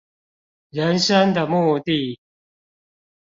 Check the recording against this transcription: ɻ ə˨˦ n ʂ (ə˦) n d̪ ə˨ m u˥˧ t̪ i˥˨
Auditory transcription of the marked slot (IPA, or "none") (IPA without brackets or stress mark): ə˦